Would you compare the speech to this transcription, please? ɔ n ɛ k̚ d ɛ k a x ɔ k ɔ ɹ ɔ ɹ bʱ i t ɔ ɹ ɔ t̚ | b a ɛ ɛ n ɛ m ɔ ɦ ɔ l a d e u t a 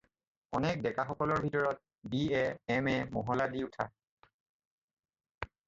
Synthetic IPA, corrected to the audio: ɔ n ɛ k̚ d ɛ k a x ɔ k ɔ l ɔ ɹ bʱ i t ɔ ɹ ɔ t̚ | b i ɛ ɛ m ɛ m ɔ ɦ ɔ l a d i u tʰ a

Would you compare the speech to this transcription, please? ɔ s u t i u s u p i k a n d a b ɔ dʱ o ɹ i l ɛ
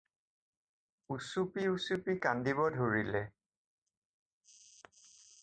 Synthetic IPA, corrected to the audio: u s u p i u s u p i k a n d i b ɔ dʱ o ɹ i l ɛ

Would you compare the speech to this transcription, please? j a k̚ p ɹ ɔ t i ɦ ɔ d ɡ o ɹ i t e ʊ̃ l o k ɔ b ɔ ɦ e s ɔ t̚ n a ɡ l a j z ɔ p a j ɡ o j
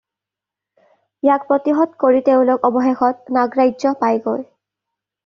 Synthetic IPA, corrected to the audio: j a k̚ p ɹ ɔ t i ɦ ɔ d k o ɹ i t e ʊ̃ l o k ɔ b ɔ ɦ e x ɔ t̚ n a ɡ ɹ a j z ɔ p a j ɡ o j

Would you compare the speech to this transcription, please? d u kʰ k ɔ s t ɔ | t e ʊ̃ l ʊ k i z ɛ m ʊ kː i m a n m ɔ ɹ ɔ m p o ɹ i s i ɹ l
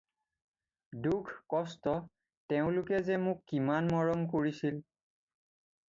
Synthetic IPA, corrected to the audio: d u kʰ k ɔ s t ɔ | t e ʊ̃ l ʊ k ɛ z ɛ m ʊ kː i m a n m ɔ ɹ ɔ m k o ɹ i s i l

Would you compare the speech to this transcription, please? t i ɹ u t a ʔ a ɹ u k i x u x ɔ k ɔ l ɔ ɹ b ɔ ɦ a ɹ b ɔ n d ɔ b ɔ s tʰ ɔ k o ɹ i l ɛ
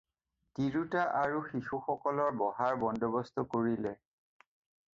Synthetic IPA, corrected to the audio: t i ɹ u t a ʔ a ɹ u x i x u x ɔ k ɔ l ɔ ɹ b ɔ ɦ a ɹ b ɔ n d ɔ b ɔ s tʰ ɔ k o ɹ i l ɛ

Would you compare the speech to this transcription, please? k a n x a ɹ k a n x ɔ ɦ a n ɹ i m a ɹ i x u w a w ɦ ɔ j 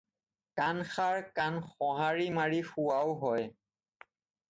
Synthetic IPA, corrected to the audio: k a n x a ɹ k a n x ɔ ɦ a ɹ i m a ɹ i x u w a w ɦ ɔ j

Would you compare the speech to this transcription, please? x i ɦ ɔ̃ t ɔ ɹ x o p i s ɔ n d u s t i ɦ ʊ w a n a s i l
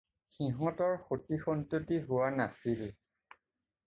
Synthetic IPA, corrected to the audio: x i ɦ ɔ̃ t ɔ ɹ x o t i x ɔ n t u t i ɦ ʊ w a n a s i l

